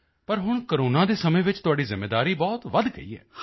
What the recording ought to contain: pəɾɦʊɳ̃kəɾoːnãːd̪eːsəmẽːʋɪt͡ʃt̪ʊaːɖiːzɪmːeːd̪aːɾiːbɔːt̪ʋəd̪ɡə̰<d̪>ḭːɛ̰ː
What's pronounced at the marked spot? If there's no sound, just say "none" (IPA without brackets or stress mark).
none